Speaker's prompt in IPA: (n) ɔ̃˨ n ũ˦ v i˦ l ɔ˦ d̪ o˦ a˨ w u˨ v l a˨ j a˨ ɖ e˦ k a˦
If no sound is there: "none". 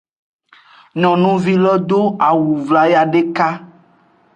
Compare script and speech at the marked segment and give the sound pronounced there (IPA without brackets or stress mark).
n